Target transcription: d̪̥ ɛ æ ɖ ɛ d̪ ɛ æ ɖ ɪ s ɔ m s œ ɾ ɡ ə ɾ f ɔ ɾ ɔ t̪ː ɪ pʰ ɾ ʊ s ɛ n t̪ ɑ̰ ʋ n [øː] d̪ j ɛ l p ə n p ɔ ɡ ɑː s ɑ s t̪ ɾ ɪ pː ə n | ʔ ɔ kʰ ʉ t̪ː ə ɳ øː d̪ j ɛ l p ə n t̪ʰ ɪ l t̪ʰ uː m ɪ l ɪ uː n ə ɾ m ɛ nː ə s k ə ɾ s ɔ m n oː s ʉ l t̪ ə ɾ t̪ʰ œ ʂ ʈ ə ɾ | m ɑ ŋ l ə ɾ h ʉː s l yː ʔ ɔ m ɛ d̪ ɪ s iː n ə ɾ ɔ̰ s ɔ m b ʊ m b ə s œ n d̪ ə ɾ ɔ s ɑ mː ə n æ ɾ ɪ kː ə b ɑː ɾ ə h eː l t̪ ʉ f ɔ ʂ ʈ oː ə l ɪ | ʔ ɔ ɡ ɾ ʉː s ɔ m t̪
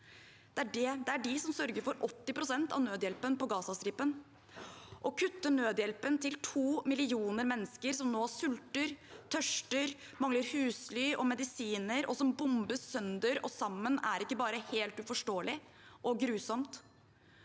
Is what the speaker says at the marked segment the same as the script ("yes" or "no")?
yes